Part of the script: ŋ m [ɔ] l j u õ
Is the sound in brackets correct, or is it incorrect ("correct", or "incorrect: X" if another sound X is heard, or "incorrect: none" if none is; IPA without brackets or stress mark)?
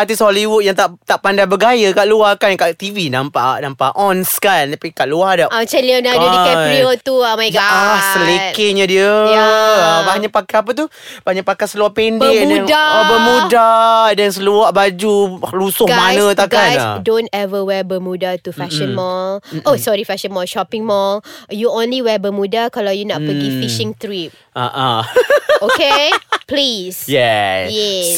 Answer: correct